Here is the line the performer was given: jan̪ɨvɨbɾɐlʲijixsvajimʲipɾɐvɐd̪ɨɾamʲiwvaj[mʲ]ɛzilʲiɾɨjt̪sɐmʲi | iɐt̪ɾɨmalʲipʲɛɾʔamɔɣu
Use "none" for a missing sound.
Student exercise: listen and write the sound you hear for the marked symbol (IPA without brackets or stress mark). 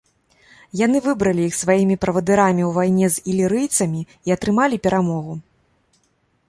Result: nʲ